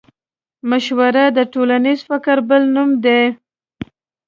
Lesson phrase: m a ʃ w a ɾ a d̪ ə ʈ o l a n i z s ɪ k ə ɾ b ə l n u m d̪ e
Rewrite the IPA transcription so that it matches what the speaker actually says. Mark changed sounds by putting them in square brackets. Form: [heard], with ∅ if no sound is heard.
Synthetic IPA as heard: m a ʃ w a ɾ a d̪ ə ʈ o l a n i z [f] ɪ k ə ɾ b ə l n u m d̪ e